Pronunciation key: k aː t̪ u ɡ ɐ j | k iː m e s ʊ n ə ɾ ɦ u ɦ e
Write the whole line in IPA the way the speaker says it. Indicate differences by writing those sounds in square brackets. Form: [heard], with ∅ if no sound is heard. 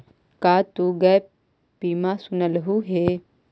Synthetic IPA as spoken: k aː t̪ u ɡ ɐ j | [p] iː m [a] s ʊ n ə [l] ɦ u ɦ e